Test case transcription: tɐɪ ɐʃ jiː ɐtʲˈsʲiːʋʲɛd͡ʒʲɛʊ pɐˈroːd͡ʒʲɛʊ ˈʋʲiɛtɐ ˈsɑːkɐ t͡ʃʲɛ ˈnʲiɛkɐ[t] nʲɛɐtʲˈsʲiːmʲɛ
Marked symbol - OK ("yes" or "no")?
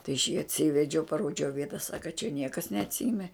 no